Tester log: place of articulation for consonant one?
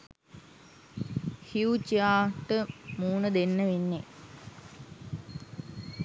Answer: glottal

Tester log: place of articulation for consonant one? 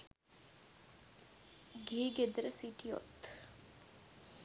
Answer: velar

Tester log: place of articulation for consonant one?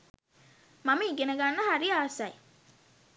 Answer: labial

